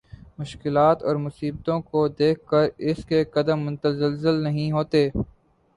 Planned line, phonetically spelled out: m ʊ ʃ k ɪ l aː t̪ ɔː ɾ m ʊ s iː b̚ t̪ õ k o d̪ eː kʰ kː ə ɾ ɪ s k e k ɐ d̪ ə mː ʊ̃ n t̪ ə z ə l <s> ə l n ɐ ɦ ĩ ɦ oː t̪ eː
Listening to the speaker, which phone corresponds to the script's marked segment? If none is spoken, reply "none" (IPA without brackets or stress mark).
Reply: z